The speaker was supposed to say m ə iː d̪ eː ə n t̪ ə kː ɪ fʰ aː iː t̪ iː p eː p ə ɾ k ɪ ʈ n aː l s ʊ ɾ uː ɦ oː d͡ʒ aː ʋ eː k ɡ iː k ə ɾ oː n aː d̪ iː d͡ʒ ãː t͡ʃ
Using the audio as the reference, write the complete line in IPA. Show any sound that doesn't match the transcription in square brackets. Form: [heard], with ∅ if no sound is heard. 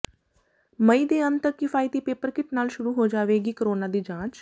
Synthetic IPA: m ə iː d̪ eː ə n t̪ ə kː ɪ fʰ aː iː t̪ iː p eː p ə ɾ k ɪ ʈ n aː l [ʃ] ʊ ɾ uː ɦ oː d͡ʒ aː ʋ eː [∅] ɡ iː k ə ɾ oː n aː d̪ iː d͡ʒ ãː t͡ʃ